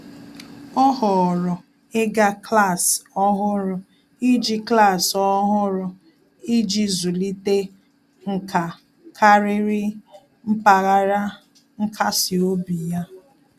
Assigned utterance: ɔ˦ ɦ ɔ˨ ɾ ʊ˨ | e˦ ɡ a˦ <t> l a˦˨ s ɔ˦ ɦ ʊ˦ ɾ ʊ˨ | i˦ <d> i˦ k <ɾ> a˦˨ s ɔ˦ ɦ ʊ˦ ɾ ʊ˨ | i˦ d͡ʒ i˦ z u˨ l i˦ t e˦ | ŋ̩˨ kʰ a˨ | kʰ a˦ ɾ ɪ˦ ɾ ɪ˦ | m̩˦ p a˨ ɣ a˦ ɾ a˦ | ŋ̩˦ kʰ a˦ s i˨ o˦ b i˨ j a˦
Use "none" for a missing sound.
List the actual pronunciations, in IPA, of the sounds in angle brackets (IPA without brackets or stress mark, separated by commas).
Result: k, d͡ʒ, l